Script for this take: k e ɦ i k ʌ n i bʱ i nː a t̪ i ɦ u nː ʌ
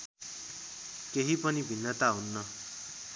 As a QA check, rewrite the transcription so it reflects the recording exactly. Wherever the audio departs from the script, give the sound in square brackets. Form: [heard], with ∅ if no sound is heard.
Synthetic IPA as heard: k e ɦ i [p] ʌ n i bʱ i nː [ʌ] t̪ [a] ɦ u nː ʌ